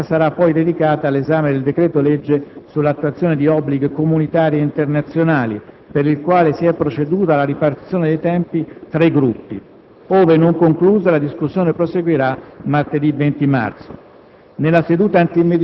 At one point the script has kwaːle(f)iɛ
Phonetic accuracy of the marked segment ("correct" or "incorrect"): incorrect